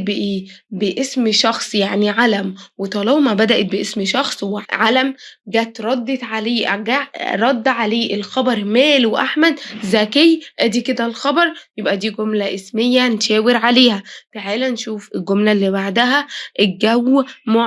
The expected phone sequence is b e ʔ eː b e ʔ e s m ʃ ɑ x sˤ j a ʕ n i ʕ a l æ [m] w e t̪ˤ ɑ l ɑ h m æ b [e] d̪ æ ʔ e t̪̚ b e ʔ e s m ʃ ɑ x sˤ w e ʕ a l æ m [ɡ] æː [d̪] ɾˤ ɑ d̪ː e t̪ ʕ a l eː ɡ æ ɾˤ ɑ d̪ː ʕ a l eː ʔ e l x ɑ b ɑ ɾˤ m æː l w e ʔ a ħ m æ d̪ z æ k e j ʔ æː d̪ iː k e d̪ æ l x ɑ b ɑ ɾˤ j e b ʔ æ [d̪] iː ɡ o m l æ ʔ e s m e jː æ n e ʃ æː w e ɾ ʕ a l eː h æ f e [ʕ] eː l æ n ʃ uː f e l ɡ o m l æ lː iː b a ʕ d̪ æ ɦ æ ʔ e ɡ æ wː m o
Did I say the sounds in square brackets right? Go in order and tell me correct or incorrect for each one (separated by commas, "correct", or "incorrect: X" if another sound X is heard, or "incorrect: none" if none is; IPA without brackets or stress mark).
correct, incorrect: æ, correct, incorrect: t̪, correct, correct